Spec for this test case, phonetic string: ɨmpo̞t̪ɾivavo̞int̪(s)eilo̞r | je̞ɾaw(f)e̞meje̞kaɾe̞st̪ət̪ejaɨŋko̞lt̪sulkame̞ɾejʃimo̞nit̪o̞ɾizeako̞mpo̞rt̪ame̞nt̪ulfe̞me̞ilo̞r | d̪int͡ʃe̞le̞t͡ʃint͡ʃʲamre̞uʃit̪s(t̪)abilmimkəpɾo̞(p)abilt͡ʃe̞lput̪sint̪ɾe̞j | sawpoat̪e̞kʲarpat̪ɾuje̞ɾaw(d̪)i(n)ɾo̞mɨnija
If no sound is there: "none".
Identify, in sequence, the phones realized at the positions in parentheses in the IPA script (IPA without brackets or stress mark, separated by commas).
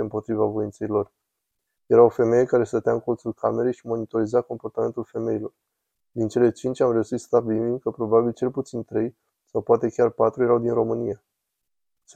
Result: s, f, t̪, b, d̪, n